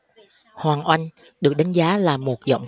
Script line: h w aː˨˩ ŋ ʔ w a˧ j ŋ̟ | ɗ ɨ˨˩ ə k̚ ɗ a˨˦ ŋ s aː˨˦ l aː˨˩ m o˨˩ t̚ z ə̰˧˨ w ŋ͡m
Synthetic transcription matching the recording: h w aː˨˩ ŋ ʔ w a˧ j ŋ̟ | ɗ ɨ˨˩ ə k̚ ɗ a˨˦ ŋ z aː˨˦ l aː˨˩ m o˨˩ t̚ z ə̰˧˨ w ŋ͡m